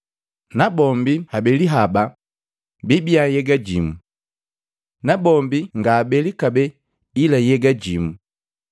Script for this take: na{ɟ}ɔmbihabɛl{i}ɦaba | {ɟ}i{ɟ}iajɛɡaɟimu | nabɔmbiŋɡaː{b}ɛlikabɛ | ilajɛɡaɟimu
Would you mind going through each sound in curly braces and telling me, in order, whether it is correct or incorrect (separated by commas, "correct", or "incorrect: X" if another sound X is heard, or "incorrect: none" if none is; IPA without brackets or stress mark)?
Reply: incorrect: b, correct, incorrect: b, incorrect: b, correct